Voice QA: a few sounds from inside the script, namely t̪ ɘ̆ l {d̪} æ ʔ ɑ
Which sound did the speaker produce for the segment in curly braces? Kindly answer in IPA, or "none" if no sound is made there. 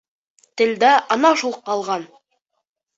d̪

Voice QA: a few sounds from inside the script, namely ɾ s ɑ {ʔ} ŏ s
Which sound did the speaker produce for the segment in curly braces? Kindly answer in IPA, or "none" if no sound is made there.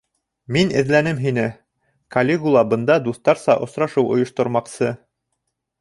ʔ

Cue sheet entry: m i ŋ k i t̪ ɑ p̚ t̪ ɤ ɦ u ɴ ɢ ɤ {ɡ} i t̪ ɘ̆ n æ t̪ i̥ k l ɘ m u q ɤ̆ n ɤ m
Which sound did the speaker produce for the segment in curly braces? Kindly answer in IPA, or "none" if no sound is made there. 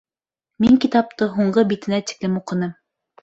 b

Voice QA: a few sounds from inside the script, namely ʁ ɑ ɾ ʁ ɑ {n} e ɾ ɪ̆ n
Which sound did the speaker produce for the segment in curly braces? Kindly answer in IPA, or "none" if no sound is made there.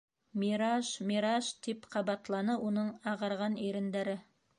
n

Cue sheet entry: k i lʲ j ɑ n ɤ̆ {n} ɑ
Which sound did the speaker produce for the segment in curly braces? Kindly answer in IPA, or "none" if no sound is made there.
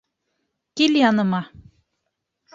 m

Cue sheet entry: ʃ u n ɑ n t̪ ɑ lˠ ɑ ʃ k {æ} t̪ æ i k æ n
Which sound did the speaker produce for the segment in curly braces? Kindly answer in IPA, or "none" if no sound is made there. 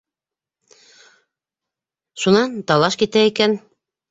i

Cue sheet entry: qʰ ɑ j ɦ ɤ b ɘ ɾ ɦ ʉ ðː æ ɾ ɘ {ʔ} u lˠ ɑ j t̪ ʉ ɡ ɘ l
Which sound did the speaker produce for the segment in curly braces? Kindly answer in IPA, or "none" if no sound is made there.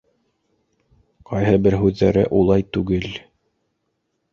ʔ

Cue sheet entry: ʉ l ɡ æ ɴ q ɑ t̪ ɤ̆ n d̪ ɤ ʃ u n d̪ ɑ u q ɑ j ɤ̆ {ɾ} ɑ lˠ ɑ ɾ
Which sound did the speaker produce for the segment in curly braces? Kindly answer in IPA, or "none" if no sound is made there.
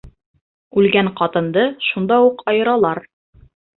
ɾ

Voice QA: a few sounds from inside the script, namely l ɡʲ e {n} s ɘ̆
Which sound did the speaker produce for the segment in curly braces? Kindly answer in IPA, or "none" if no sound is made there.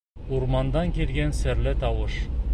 n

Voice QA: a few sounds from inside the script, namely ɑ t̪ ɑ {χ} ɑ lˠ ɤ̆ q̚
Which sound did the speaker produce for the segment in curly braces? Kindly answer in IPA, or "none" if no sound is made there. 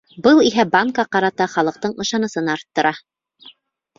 χ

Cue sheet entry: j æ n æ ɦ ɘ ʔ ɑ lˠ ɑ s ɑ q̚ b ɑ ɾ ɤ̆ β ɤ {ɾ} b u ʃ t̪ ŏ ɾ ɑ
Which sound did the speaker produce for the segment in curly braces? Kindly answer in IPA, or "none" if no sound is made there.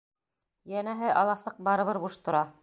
ɾ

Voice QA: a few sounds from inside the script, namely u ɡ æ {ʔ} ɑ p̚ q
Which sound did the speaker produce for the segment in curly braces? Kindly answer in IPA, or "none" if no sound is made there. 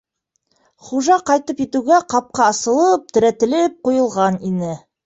q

